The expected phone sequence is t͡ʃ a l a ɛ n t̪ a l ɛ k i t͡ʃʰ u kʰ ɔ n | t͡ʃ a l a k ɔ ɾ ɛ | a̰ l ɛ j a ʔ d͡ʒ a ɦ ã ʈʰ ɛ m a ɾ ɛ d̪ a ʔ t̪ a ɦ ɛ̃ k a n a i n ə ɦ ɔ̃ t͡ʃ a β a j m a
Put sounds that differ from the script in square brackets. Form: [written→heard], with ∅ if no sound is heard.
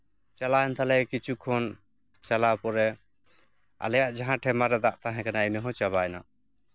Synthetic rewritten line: t͡ʃ a l a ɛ n t̪ a l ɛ k i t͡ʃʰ u kʰ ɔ n | t͡ʃ a l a [k→p] ɔ ɾ ɛ | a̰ l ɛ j a ʔ d͡ʒ a ɦ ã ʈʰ ɛ m a ɾ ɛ d̪ a ʔ t̪ a ɦ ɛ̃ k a n a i n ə ɦ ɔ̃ t͡ʃ a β a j [m→n] a